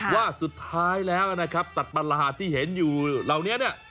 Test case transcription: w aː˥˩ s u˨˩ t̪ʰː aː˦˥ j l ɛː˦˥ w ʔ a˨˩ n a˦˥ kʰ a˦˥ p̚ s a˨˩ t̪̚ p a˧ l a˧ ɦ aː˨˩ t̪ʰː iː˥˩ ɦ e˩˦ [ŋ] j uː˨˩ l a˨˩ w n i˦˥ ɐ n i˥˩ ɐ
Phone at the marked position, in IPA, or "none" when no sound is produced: n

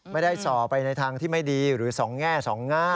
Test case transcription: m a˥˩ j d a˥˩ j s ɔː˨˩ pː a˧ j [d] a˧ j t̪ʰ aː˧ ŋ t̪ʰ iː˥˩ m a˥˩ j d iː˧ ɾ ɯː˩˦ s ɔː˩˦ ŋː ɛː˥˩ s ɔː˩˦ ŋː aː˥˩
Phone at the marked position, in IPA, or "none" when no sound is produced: n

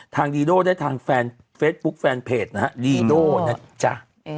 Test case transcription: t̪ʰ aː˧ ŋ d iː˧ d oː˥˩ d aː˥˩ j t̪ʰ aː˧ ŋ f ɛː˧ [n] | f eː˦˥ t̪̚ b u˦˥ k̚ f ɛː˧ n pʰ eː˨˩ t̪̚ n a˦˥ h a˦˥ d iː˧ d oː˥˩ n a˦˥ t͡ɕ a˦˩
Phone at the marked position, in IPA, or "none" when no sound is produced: n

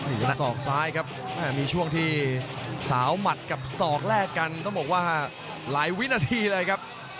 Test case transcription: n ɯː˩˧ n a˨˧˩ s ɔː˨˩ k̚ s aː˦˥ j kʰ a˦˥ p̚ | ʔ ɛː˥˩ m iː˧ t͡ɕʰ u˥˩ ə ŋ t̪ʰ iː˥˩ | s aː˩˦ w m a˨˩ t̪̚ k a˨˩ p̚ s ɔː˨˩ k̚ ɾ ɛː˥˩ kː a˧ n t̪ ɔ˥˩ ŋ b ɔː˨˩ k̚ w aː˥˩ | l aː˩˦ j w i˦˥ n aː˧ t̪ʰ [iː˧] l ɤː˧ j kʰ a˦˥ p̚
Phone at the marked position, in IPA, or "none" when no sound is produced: iː˧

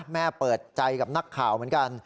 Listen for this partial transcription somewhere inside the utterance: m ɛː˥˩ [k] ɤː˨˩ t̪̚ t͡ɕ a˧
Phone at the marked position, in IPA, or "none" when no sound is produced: p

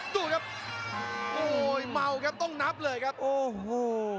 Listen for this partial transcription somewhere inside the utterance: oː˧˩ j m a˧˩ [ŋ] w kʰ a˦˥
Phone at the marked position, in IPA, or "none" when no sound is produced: none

